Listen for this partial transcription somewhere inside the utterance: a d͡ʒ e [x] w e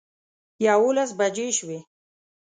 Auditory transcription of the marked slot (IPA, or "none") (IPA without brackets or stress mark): ʃ